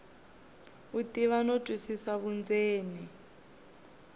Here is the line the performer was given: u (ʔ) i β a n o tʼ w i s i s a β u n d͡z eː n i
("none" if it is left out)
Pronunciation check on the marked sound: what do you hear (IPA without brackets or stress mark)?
t